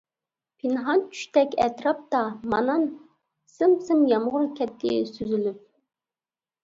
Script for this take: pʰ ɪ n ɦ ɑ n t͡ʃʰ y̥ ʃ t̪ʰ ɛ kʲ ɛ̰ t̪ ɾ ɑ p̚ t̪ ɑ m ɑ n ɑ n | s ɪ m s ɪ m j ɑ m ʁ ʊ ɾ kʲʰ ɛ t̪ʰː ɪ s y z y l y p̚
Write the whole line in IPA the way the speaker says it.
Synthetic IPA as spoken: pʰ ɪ n ɦ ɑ n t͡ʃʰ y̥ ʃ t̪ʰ ɛ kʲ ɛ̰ t̪ ɾ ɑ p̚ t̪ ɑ m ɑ n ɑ n | s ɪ m s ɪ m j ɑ m ʁ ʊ ɾ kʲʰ ɛ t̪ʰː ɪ s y z y l y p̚